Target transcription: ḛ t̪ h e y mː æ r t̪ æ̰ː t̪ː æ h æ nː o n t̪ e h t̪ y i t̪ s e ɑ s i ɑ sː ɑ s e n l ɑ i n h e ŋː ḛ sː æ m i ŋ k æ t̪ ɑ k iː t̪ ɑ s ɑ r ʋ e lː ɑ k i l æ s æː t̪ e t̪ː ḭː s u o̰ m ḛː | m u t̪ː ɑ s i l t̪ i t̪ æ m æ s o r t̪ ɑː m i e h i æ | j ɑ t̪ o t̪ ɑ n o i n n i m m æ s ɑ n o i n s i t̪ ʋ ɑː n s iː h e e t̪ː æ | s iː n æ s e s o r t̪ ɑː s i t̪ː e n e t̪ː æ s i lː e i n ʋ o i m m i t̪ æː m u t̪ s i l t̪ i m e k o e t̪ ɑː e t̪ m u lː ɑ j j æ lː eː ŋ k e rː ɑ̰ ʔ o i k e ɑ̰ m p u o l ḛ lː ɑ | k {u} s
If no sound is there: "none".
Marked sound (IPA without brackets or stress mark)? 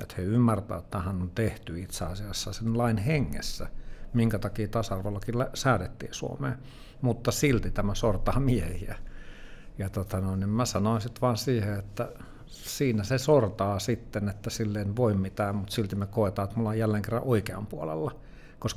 o